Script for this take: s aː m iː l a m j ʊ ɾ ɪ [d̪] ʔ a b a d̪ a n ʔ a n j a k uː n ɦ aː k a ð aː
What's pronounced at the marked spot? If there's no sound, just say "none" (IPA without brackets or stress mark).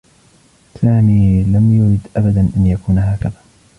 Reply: d̪